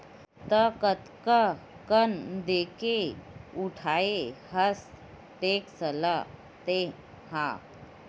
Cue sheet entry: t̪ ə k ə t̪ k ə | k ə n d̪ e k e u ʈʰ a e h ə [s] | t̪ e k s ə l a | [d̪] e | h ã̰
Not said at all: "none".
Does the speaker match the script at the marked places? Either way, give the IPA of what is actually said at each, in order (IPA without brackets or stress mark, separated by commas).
s, t̪